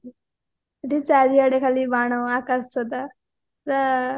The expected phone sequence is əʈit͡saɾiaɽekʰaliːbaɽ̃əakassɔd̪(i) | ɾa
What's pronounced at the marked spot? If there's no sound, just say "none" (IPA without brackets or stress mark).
a